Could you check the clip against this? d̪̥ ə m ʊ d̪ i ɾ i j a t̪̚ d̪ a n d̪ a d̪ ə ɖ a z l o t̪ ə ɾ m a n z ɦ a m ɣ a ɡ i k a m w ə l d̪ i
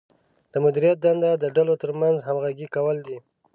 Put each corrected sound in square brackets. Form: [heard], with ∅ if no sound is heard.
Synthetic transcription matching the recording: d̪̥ ə m ʊ d̪ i ɾ i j a t̪̚ d̪ a n d̪ a d̪ ə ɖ a [∅] l o t̪ ə ɾ m a n z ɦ a m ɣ a ɡ i k a [∅] w ə l d̪ i